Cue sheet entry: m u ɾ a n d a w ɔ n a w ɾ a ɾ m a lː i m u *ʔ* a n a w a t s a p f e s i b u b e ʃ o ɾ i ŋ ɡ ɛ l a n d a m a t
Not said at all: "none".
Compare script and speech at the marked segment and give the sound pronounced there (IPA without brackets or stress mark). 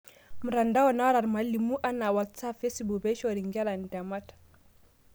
ʔ